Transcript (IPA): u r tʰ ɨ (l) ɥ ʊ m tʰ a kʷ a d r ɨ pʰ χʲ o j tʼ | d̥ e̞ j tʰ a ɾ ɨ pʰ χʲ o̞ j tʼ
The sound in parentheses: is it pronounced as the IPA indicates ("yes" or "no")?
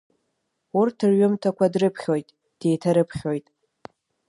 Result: no